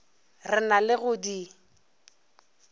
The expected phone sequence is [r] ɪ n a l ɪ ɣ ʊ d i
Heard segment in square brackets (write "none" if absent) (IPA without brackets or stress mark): r